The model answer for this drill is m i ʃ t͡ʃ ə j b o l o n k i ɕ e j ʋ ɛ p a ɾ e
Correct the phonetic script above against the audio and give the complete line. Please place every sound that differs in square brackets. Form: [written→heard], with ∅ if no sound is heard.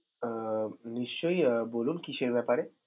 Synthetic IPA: [m→n] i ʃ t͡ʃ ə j b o l [o→u] n k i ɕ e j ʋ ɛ p a ɾ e

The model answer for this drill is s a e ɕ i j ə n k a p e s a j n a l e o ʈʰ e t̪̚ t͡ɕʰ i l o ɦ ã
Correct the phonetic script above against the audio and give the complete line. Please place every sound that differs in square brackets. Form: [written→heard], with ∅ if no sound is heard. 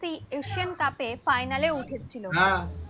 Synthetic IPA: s [a→i] e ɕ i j ə n k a p e [s→f] a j n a l e [o→u] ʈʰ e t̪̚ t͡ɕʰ i l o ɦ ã

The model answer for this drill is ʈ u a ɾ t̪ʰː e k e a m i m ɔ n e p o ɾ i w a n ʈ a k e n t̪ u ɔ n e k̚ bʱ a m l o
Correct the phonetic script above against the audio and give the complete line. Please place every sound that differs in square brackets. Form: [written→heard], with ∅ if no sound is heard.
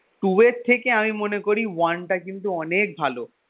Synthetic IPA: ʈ u [a→e] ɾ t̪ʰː e k e a m i m [ɔ→o] n e [p→k] o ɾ i w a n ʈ a k [e→i] n t̪ u ɔ n e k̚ bʱ a [m→∅] l o

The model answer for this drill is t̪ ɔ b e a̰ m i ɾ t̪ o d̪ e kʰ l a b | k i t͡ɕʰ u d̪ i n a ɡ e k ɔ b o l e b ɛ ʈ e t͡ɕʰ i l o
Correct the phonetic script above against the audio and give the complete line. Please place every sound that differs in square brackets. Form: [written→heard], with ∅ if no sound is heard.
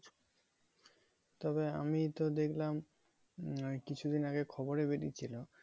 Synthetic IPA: t̪ ɔ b e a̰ m i [ɾ→∅] t̪ o d̪ e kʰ l a [b→m] | k i t͡ɕʰ u d̪ i n a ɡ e [k→kʰ] ɔ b o [l→ɾ] e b [ɛ→e] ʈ [e→i] t͡ɕʰ i l o

